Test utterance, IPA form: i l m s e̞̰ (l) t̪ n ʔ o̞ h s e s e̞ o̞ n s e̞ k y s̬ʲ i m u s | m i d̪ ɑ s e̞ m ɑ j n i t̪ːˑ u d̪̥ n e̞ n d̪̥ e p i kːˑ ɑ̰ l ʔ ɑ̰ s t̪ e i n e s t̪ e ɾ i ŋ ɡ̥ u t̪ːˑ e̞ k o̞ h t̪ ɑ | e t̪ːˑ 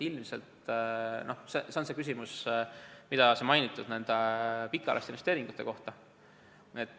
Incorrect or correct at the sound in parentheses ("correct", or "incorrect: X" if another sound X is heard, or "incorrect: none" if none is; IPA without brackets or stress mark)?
correct